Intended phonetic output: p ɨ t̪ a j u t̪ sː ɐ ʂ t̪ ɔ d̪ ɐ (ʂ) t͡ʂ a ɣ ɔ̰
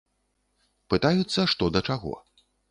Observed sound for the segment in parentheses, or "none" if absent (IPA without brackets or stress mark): none